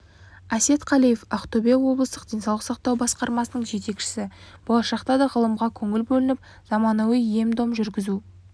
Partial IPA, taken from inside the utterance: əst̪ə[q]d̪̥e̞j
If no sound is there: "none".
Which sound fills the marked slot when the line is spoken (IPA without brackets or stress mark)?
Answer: q